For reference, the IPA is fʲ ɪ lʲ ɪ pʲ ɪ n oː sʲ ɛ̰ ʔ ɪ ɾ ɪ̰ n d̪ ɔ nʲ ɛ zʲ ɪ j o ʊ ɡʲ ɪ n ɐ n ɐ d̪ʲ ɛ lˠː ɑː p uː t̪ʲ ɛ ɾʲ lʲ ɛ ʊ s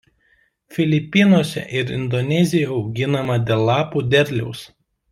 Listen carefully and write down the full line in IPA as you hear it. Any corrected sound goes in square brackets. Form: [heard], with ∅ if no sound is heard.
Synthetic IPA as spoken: fʲ ɪ lʲ ɪ pʲ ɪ n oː sʲ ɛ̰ ʔ ɪ ɾ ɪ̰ n d̪ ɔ nʲ ɛ zʲ ɪ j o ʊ ɡʲ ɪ n ɐ [m] ɐ d̪ʲ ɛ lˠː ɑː p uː [d̪ʲ] ɛ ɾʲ lʲ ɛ ʊ s